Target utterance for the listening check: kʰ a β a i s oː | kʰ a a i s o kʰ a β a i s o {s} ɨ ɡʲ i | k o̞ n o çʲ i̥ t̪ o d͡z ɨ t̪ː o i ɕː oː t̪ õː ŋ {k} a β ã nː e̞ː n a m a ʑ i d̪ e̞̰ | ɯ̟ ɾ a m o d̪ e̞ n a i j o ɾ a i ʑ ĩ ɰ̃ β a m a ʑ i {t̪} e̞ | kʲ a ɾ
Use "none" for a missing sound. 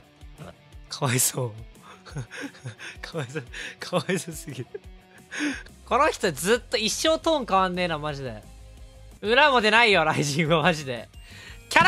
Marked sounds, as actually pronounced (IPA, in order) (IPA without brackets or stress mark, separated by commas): s, k, d̪